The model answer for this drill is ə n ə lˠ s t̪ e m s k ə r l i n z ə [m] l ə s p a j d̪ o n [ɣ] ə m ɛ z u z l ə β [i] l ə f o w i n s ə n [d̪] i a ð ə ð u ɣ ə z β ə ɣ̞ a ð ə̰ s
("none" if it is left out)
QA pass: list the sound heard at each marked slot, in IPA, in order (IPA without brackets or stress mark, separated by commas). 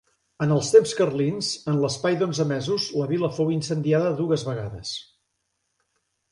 n, z, i, d̪